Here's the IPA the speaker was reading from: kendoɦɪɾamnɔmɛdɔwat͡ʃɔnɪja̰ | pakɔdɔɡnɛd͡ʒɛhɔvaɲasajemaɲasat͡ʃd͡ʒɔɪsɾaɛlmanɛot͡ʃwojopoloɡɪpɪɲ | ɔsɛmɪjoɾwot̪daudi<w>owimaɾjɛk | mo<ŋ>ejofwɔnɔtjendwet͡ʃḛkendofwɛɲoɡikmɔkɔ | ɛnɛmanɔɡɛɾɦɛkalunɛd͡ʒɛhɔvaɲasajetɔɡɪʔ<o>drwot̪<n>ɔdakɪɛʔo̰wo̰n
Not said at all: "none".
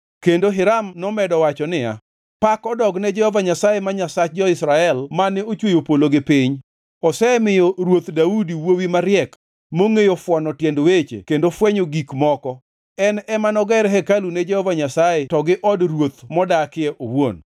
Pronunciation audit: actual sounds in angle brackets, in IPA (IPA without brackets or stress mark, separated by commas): w, ŋ, ɔ, m